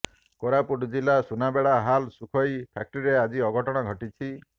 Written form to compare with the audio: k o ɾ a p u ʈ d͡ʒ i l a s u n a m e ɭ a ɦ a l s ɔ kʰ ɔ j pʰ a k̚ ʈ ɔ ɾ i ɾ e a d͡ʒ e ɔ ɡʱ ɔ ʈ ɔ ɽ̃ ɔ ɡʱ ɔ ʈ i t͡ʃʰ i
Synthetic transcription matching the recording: k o ɾ a p u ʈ d͡ʒ i l a s u n a b e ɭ a ɦ a l s u kʰ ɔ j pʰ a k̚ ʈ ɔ ɾ i ɾ e a d͡ʒ i ɔ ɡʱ ɔ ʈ ɔ ɽ̃ ɔ ɡʱ ɔ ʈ i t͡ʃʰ i